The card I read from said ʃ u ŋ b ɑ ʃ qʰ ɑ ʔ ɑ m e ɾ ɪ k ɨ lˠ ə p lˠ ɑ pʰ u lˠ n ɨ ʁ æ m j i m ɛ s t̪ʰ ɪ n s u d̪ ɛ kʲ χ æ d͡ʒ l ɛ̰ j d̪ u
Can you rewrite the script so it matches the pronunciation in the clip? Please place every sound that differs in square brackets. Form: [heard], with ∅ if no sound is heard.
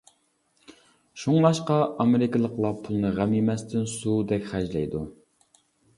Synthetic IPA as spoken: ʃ u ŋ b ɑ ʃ [q] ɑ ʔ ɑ m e ɾ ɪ k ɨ lˠ ə [q] lˠ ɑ pʰ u lˠ n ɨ ʁ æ m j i m ɛ s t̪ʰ ɪ n s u d̪ ɛ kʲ χ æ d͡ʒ l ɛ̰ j d̪ u